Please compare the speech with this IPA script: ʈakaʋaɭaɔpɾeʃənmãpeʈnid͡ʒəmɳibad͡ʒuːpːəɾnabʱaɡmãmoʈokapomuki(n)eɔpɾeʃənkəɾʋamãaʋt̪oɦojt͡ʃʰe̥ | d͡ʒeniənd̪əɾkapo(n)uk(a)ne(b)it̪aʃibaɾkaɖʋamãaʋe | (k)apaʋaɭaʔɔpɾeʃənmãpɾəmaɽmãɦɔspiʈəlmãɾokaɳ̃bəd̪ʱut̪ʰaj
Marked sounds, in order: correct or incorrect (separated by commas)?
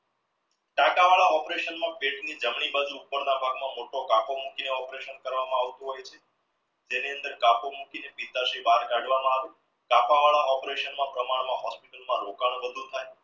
correct, incorrect, incorrect, incorrect, correct